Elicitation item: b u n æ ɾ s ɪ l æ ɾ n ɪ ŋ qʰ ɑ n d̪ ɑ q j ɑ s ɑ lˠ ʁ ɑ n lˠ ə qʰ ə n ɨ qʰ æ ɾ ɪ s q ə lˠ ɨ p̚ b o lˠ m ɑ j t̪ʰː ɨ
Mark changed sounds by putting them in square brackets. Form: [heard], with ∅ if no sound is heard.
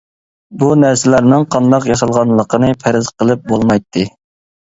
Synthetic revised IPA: b u n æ ɾ s ɪ l æ ɾ n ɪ ŋ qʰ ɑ n d̪ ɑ q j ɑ s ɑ lˠ ʁ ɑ n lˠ ə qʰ ə n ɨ [pʰ] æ ɾ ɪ [z] q ə lˠ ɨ p̚ b o lˠ m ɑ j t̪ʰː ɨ